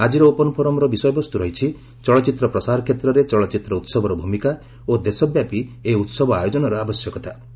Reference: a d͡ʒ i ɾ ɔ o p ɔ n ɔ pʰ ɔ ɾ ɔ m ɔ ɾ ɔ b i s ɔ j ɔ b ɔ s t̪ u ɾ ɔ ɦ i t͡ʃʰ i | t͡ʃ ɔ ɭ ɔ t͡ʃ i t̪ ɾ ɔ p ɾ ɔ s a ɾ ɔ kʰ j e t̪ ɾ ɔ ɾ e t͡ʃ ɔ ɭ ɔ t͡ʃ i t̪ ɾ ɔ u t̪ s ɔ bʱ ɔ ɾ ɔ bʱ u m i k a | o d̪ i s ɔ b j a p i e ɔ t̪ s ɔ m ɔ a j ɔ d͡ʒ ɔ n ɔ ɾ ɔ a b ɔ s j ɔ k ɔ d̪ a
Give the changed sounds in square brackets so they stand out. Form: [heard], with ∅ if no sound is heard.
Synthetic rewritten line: a d͡ʒ i ɾ ɔ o p ɔ n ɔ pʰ ɔ ɾ ɔ m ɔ ɾ ɔ b i s ɔ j ɔ b ɔ s t̪ u ɾ ɔ ɦ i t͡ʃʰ i | t͡ʃ ɔ ɭ ɔ t͡ʃ i t̪ ɾ ɔ p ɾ ɔ s a ɾ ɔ kʰ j e t̪ ɾ ɔ ɾ e t͡ʃ ɔ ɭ ɔ t͡ʃ i t̪ ɾ ɔ u t̪ s ɔ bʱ ɔ ɾ ɔ bʱ u m i k a | o d̪ [e] s ɔ b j a p i e [u] t̪ s ɔ [b] ɔ a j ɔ d͡ʒ ɔ n ɔ ɾ ɔ a b ɔ s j ɔ k ɔ [t̪] a

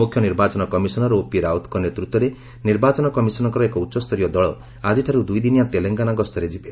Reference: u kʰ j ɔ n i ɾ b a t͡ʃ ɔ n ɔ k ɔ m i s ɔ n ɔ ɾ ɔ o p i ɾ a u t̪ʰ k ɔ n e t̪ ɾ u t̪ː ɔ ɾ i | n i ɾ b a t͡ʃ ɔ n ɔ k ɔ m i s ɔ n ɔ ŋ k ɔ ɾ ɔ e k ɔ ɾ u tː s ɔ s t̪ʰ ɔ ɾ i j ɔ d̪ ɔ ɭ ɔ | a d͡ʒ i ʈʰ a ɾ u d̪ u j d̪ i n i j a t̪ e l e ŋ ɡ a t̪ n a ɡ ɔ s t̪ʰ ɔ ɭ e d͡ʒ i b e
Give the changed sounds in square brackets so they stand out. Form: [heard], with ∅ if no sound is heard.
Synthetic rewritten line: u kʰ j ɔ n i ɾ b a t͡ʃ ɔ n ɔ k ɔ m i s ɔ n ɔ ɾ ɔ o p i ɾ a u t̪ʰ k ɔ n e t̪ ɾ u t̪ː ɔ ɾ [e] | n i ɾ b a t͡ʃ ɔ n ɔ k ɔ m i s ɔ n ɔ ŋ k ɔ ɾ ɔ e k ɔ [∅] u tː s ɔ s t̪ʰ ɔ ɾ i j ɔ d̪ ɔ ɭ ɔ | a d͡ʒ i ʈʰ a ɾ u d̪ u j d̪ i n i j a t̪ e l e ŋ ɡ a [∅] n a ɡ ɔ s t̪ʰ ɔ [ɾ] e d͡ʒ i b e

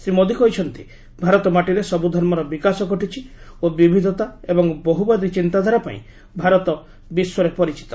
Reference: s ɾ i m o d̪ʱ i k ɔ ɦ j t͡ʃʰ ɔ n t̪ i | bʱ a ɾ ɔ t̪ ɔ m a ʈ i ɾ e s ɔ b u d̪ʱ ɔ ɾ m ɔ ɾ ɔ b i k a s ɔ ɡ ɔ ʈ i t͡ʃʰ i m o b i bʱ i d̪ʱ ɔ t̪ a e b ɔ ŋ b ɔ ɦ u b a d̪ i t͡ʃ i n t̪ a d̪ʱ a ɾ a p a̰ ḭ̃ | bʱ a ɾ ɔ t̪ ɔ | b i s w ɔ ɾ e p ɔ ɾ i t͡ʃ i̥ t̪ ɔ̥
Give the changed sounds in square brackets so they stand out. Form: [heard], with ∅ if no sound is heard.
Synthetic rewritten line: s ɾ i m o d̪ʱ i k ɔ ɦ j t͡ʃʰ ɔ n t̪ i | bʱ a ɾ ɔ t̪ ɔ m a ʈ i ɾ e s ɔ b u d̪ʱ ɔ ɾ m ɔ ɾ ɔ b i k a s ɔ ɡ ɔ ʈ i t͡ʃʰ i [∅] o b i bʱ i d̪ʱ ɔ t̪ a e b ɔ ŋ b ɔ ɦ u b a d̪ i t͡ʃ i n t̪ a d̪ʱ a ɾ a p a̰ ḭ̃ | bʱ a ɾ ɔ t̪ ɔ | b i s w ɔ ɾ e p ɔ ɾ i t͡ʃ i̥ t̪ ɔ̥

